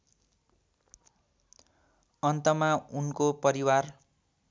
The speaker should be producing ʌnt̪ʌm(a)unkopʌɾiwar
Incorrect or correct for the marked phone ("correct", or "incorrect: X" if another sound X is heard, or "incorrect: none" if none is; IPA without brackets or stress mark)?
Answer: correct